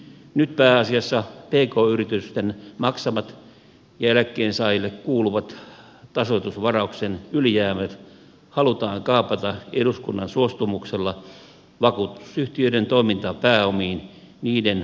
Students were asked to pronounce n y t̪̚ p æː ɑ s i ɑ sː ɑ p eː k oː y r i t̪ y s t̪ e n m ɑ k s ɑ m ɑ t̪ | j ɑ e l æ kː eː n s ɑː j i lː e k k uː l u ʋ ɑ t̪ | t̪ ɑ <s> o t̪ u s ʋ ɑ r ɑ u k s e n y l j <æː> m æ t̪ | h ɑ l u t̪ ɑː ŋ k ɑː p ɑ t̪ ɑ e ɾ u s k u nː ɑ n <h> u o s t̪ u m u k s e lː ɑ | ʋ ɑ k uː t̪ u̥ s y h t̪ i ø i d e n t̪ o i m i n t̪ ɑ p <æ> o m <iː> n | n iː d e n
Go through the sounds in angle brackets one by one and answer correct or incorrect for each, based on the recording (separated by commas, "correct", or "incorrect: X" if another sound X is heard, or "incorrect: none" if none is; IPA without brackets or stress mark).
correct, correct, incorrect: s, incorrect: æː, correct